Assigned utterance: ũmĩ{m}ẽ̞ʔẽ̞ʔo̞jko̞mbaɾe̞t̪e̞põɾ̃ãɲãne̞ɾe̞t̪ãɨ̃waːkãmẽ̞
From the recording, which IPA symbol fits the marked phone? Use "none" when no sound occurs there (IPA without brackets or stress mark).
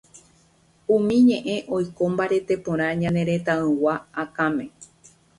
ɲ